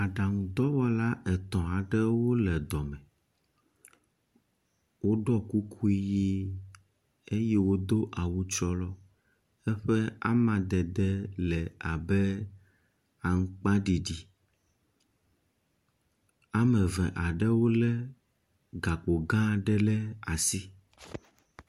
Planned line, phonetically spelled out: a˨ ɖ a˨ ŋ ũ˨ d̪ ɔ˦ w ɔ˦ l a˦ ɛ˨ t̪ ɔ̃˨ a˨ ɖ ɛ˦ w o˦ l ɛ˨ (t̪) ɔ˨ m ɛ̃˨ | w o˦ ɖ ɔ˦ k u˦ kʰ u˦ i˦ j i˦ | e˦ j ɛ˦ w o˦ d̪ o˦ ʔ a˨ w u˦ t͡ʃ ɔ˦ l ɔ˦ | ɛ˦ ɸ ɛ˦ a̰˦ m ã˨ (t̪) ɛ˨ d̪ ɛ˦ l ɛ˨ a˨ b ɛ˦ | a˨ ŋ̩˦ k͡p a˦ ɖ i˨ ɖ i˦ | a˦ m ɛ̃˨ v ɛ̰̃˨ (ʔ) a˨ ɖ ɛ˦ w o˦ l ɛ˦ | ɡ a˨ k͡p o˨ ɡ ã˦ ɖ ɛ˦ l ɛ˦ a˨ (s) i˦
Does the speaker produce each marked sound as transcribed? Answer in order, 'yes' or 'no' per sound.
no, no, yes, yes

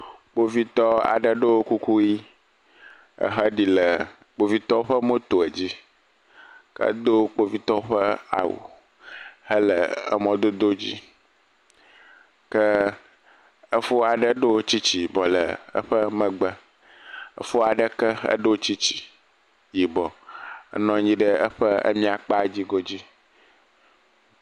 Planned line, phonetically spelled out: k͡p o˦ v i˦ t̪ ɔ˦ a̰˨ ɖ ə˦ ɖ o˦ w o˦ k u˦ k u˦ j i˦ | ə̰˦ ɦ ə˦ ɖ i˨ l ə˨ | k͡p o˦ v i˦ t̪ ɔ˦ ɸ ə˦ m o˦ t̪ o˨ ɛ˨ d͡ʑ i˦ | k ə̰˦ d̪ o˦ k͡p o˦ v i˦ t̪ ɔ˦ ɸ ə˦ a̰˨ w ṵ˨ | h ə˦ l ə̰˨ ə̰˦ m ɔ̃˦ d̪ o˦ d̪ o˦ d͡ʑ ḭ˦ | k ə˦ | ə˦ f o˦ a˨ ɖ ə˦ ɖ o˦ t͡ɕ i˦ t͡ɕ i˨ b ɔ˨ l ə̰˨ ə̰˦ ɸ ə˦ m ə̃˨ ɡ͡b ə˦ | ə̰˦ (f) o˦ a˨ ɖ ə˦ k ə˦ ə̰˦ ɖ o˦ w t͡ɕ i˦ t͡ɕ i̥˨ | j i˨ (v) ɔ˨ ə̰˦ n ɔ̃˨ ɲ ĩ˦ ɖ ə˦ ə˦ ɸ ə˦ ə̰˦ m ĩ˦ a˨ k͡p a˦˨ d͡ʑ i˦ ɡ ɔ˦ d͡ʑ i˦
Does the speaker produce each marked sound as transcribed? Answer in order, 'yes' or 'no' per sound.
yes, no

